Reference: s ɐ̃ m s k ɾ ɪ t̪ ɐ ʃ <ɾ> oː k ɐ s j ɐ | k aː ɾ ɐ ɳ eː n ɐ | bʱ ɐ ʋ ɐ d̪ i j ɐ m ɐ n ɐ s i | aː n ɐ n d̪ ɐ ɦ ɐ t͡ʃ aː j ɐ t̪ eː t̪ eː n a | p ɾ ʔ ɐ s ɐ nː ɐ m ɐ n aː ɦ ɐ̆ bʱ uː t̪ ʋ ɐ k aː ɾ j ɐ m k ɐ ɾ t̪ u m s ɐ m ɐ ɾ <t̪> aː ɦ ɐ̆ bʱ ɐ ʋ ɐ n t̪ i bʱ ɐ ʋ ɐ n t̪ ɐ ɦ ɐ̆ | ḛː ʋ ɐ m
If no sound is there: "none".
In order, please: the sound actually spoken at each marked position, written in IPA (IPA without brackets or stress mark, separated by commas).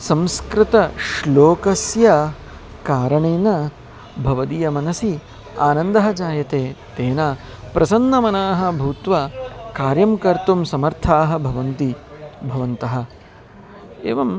l, t̪ʰ